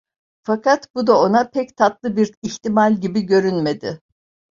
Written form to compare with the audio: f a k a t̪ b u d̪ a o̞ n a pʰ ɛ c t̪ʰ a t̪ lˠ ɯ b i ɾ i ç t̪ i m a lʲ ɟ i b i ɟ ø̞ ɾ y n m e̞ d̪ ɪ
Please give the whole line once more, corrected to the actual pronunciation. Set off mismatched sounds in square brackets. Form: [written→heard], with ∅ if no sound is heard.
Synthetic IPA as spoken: f a k a t̪ b u d̪ a o̞ n a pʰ ɛ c t̪ʰ a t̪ lˠ ɯ b i ɾ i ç t̪ i m a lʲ ɟ i b i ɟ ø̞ ɾ y n m e̞ d̪ ɪ